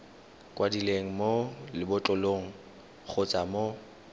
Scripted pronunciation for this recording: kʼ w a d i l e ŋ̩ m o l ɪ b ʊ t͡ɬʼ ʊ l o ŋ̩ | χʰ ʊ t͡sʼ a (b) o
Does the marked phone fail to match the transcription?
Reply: yes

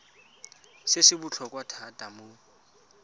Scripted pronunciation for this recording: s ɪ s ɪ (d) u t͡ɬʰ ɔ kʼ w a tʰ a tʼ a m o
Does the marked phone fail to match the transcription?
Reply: yes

